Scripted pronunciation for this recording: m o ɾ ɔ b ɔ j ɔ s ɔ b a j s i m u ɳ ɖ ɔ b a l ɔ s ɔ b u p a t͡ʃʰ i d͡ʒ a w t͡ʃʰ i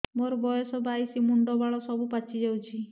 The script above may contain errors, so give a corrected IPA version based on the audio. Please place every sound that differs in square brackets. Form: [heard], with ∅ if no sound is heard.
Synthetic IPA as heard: m o ɾ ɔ b ɔ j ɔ s ɔ b a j s i m u ɳ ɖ ɔ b a [ɭ] ɔ s ɔ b u p a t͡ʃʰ i d͡ʒ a w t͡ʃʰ i

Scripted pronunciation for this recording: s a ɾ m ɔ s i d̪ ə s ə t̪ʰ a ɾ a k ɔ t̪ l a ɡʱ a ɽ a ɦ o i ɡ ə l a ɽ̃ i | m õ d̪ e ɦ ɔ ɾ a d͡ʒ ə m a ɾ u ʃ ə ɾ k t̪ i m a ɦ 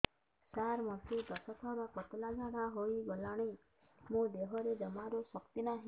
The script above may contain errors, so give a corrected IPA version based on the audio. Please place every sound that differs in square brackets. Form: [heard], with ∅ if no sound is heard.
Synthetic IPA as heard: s a ɾ m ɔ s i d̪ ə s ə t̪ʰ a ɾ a k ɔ t̪ l a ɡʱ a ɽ a ɦ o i ɡ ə l a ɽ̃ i | m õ d̪ e ɦ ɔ ɾ [e] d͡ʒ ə m a ɾ [o] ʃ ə [∅] k t̪ i [n] a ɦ

